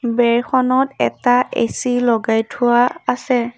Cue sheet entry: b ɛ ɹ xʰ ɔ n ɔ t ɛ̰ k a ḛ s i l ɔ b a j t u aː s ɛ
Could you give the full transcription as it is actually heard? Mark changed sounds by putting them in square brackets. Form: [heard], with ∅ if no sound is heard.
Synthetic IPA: b ɛ ɹ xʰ ɔ n ɔ t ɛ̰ [t] a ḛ s i l ɔ [ɡ] a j [tʰ] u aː s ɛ